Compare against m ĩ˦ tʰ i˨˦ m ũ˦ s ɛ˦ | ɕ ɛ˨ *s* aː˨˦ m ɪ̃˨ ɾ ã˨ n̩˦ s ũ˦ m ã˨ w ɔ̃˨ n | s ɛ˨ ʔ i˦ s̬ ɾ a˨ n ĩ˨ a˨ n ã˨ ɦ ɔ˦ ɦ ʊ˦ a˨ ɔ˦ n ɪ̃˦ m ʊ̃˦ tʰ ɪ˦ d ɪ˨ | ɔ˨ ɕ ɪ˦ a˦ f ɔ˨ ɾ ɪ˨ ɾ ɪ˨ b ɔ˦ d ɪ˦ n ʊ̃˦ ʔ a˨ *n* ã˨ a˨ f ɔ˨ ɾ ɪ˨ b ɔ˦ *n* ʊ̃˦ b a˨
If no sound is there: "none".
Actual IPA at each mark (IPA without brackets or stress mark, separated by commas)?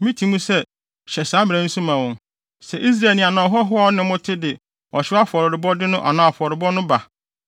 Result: s, n, n